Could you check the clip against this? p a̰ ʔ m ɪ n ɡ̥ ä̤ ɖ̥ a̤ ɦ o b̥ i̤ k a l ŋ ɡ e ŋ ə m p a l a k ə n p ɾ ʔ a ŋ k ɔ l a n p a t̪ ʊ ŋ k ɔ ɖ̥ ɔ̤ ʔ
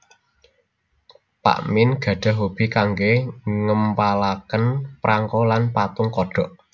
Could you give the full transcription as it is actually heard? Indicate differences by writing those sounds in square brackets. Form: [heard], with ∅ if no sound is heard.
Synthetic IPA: p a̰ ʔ m ɪ n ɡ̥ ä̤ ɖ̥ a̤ ɦ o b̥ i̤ k a [∅] ŋ ɡ e ŋ ə m p a l a k ə n p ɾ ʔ a ŋ k ɔ l a n p a t̪ ʊ ŋ k ɔ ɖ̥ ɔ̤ ʔ